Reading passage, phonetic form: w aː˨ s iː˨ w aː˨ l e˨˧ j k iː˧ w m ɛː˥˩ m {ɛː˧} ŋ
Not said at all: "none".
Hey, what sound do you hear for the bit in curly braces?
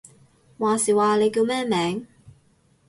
ɛː˨˥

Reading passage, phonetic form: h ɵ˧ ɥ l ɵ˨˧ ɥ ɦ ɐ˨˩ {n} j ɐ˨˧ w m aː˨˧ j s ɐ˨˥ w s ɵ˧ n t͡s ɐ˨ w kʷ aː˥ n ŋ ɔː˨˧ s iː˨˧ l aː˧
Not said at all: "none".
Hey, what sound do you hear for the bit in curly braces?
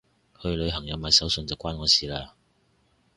ŋ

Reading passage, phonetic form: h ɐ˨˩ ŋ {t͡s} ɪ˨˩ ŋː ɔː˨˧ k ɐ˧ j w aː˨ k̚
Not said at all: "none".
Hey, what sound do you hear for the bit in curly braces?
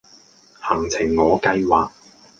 t͡sʰ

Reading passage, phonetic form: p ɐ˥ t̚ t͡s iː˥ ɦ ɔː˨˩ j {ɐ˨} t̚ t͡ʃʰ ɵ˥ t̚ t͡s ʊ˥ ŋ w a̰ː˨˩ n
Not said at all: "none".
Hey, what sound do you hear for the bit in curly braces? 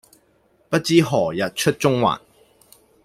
ɐ˨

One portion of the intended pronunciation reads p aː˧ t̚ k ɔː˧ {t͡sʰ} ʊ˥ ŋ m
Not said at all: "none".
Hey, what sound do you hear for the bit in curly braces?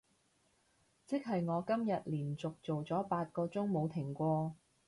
t͡s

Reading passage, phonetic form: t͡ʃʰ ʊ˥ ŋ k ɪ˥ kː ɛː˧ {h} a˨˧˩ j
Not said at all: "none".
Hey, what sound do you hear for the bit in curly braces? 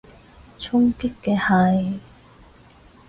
h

